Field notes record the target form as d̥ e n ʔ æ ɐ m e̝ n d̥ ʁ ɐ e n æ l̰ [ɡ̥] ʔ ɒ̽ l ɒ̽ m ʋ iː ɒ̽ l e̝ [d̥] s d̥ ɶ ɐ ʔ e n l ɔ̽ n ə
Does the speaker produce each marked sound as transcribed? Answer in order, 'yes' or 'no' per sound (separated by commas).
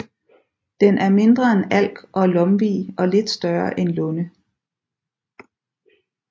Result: yes, yes